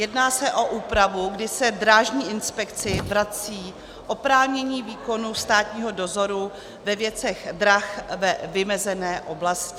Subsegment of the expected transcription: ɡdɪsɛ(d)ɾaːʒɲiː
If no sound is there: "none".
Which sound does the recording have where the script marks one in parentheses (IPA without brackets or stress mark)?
d